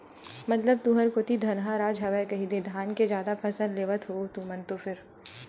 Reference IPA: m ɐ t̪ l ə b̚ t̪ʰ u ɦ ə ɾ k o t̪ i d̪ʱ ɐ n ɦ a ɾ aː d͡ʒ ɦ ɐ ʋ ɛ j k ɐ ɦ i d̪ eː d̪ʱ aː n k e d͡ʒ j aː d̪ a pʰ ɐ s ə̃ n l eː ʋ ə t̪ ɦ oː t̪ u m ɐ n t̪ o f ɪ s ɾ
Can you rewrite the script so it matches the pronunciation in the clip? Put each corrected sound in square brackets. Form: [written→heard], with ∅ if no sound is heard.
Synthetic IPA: m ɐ t̪ l ə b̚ [t̪ʰ→t̪] u ɦ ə ɾ k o t̪ i d̪ʱ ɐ n ɦ a ɾ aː d͡ʒ ɦ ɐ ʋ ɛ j k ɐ ɦ i d̪ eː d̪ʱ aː n k e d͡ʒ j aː d̪ a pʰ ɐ s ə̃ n l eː ʋ ə t̪ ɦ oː t̪ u m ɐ n t̪ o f ɪ [s→∅] ɾ